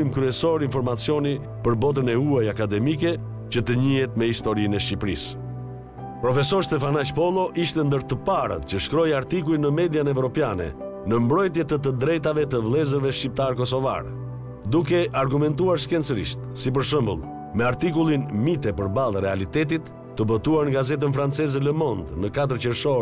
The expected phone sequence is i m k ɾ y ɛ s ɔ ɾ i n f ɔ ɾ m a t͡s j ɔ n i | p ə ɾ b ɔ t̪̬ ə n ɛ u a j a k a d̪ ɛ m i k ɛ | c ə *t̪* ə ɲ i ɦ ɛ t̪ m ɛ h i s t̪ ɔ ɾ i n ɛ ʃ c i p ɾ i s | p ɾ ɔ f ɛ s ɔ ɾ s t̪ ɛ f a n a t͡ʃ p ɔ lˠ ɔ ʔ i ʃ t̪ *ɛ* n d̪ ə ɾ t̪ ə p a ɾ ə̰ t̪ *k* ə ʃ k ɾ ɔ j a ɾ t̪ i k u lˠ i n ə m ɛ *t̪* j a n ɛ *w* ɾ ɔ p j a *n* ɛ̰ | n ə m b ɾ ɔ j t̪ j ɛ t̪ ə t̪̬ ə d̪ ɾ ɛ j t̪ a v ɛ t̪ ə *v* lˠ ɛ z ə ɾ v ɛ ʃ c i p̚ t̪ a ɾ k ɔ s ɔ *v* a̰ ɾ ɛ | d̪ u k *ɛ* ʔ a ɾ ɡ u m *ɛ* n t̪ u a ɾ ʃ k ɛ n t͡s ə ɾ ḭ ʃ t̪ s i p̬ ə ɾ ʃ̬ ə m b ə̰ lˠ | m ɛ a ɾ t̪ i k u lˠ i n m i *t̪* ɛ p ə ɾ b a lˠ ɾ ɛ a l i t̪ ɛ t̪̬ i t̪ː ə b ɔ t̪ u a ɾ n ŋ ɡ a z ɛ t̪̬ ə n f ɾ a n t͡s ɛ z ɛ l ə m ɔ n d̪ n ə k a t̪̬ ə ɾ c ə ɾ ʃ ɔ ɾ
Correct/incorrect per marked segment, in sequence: correct, correct, incorrect, incorrect, incorrect, correct, correct, correct, correct, correct, correct

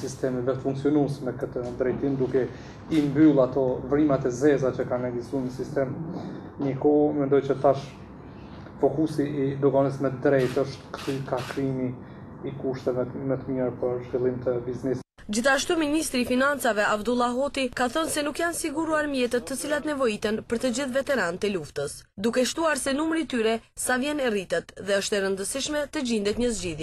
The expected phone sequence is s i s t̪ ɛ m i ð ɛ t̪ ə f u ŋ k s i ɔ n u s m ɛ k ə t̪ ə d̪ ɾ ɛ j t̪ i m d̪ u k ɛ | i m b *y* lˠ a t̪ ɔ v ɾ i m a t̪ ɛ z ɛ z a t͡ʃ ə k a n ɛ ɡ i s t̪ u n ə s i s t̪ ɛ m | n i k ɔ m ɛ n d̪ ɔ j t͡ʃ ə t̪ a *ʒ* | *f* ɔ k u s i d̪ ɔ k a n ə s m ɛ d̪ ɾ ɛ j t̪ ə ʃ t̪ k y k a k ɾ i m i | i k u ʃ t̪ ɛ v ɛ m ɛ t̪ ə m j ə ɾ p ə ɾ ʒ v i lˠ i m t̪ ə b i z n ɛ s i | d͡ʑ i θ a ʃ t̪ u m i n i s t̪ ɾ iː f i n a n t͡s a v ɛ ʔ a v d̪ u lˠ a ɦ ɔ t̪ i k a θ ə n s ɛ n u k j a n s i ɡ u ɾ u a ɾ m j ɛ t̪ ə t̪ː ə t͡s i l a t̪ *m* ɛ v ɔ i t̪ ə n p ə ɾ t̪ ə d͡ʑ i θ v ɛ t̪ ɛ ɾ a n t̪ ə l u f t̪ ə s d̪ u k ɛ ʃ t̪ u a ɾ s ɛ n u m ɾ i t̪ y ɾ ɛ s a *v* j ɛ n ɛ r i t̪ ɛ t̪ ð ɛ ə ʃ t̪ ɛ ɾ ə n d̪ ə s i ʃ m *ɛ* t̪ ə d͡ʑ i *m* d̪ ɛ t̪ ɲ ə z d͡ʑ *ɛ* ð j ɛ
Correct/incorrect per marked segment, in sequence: correct, incorrect, correct, incorrect, correct, correct, incorrect, incorrect

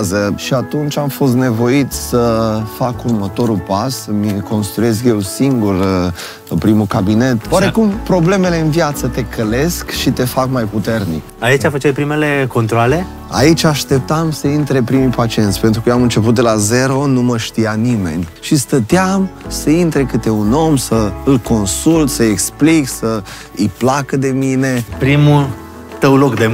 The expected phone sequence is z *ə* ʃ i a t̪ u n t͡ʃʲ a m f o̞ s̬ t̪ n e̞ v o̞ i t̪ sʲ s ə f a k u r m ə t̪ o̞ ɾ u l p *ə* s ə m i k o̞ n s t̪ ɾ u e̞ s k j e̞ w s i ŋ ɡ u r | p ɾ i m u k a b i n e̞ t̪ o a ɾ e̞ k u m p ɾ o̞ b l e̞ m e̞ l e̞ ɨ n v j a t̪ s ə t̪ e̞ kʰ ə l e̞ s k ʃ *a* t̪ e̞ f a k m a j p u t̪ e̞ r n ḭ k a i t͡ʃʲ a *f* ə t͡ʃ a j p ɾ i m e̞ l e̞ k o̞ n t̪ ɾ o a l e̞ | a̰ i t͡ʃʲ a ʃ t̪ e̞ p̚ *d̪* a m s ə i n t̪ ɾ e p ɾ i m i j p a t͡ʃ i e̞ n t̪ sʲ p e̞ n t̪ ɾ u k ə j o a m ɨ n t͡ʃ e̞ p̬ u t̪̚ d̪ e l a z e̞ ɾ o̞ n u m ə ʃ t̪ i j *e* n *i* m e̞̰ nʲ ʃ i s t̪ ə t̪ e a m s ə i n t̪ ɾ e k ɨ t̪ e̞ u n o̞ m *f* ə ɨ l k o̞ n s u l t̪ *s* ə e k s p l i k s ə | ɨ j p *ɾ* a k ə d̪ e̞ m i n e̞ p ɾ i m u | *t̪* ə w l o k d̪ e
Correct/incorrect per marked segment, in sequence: correct, incorrect, incorrect, correct, incorrect, incorrect, correct, incorrect, correct, incorrect, correct

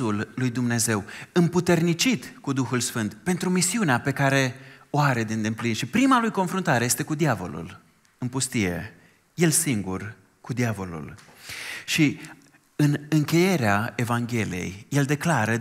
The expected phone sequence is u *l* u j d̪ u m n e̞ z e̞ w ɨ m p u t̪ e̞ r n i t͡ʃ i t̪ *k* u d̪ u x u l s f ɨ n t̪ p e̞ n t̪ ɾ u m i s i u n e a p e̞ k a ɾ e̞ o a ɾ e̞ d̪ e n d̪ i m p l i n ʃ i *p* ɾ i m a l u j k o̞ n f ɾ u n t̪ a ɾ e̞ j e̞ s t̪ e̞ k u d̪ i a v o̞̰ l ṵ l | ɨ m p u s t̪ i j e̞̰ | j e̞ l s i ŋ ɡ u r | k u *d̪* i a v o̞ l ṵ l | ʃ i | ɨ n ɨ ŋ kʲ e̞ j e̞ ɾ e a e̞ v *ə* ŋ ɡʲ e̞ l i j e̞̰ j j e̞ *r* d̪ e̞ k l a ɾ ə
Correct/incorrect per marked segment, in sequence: incorrect, correct, correct, correct, incorrect, incorrect

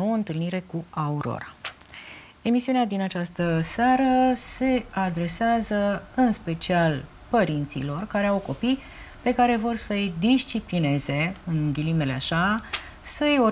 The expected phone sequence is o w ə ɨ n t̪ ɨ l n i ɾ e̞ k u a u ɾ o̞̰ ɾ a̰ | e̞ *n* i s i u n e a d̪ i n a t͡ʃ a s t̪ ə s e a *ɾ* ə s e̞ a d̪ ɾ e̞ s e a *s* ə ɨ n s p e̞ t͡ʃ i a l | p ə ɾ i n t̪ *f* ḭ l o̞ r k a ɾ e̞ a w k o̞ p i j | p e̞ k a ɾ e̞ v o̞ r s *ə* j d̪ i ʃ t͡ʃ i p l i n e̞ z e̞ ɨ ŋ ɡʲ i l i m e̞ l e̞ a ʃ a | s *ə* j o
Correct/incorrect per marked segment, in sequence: incorrect, correct, incorrect, incorrect, correct, correct

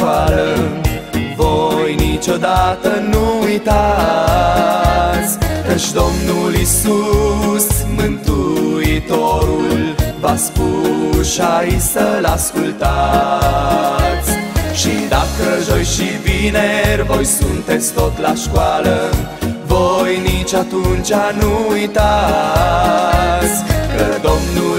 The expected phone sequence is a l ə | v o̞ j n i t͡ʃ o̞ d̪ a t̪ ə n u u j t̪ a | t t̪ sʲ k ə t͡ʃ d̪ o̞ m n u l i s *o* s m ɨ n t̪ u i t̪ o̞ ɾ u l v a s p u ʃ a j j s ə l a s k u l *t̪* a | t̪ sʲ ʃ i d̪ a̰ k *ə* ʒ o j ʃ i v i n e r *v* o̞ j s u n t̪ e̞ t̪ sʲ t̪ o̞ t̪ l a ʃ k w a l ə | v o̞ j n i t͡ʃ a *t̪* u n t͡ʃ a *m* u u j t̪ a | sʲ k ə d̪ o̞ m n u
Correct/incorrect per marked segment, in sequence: incorrect, correct, correct, correct, correct, incorrect

